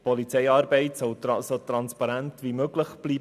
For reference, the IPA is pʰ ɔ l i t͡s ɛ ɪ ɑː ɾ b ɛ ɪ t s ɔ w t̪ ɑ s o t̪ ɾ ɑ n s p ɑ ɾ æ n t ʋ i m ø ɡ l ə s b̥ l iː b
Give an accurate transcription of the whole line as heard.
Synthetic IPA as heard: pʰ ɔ l i t͡s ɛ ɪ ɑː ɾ b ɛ ɪ t s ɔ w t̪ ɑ s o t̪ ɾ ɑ n s p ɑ ɾ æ n t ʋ i m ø ɡ l ə χ b̥ l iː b